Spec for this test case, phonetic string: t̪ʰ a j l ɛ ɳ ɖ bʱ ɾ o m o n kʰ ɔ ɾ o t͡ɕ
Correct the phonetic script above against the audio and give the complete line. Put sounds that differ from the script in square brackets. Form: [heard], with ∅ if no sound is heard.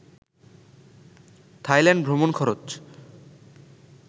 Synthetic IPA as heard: t̪ʰ a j l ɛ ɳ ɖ bʱ ɾ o m o n kʰ ɔ ɾ o t͡ɕ